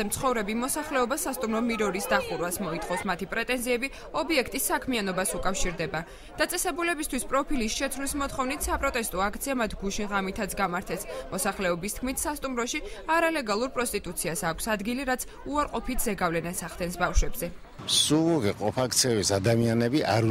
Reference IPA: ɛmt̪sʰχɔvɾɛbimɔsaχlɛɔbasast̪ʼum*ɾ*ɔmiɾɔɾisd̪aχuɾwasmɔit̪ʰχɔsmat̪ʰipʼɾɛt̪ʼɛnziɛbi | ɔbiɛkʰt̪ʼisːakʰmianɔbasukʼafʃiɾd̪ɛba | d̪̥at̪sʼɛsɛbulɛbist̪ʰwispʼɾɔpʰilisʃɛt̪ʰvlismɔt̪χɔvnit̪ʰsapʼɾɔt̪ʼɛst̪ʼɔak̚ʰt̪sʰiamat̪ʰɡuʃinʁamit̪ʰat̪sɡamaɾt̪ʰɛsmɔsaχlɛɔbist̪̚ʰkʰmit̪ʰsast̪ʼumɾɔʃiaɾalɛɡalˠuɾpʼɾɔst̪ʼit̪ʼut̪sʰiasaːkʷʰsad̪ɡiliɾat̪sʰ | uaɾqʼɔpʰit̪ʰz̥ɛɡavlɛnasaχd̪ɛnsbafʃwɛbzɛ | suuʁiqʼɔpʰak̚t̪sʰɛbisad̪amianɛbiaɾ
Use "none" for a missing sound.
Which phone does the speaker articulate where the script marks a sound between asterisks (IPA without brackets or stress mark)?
ɾ